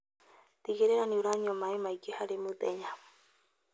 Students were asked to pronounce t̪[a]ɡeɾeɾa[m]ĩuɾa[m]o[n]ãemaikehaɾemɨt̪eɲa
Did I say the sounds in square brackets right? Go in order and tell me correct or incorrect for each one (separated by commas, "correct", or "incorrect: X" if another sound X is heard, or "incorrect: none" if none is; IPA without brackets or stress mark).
incorrect: i, incorrect: n, incorrect: ɲ, incorrect: m